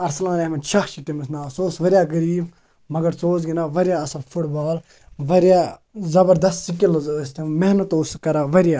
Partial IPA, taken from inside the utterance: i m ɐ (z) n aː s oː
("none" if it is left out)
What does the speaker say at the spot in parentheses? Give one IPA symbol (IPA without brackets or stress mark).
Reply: s